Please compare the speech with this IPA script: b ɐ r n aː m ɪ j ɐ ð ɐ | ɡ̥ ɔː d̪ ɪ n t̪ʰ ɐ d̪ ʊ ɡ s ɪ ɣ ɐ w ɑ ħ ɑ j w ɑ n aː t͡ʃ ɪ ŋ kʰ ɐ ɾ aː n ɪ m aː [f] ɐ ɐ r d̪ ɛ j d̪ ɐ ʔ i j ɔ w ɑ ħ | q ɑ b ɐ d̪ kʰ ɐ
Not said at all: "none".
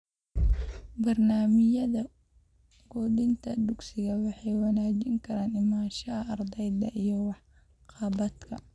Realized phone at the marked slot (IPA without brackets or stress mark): ʃ